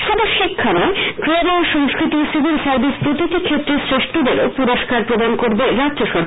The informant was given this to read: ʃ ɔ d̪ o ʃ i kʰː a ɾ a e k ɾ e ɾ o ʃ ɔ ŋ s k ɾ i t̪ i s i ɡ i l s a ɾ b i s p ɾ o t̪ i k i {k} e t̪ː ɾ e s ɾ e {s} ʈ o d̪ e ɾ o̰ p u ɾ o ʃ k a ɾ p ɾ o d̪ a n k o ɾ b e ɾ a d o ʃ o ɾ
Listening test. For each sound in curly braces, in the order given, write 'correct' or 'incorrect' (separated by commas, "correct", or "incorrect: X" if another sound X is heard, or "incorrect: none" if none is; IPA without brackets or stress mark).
incorrect: kʰ, incorrect: ʃ